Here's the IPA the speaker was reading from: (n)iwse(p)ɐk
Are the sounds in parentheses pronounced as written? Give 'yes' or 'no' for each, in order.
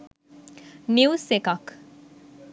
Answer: yes, no

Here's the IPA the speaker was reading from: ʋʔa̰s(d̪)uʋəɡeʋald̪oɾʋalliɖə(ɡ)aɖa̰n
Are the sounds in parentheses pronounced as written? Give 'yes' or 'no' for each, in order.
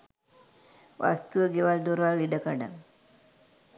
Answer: no, no

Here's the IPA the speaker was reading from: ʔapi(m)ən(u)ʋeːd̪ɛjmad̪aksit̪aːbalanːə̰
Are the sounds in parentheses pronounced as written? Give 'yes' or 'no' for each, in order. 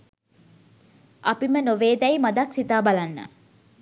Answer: yes, no

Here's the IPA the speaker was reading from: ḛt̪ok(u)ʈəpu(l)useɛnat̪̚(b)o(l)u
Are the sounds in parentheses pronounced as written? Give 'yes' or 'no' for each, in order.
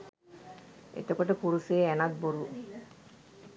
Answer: no, no, yes, no

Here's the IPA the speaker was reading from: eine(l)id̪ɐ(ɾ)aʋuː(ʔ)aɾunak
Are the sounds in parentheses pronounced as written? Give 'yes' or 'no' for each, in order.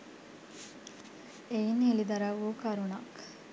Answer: yes, yes, no

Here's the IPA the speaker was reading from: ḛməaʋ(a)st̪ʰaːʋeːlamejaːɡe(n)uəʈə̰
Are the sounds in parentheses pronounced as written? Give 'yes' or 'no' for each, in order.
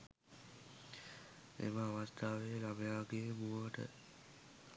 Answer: yes, no

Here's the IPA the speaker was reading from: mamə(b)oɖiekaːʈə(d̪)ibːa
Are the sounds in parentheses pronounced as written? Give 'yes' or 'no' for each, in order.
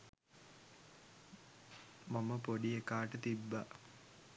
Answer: no, no

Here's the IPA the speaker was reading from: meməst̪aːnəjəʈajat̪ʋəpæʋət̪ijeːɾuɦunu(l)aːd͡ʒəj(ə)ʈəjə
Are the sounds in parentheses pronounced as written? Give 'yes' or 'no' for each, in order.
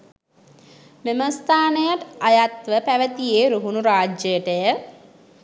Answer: no, yes

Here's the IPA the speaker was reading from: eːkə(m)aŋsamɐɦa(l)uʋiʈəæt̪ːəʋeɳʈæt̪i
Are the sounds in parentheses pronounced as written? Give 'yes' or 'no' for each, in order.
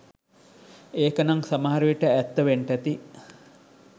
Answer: no, no

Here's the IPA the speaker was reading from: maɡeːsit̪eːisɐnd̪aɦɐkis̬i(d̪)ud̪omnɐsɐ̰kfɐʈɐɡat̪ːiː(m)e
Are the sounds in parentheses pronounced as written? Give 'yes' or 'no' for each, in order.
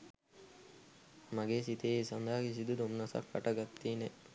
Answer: yes, no

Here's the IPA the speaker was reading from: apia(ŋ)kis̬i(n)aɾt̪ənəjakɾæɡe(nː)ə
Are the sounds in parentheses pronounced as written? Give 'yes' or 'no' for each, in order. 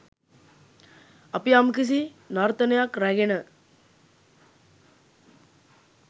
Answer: no, yes, no

